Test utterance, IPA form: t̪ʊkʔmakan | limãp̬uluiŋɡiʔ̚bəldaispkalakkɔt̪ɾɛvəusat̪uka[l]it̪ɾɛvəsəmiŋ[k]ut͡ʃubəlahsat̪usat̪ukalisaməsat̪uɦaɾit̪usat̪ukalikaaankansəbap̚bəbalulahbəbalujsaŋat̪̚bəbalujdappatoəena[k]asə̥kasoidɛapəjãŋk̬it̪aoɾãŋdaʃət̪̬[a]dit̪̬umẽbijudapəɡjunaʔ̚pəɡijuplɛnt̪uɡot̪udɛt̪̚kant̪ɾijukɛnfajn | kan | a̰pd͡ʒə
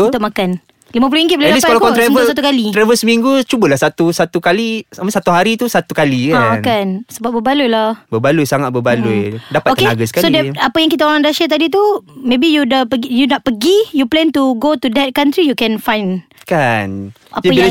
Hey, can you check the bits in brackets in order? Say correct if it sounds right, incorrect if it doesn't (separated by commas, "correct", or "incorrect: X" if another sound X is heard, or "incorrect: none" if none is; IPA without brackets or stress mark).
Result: correct, incorrect: ɡ, incorrect: ɡ, correct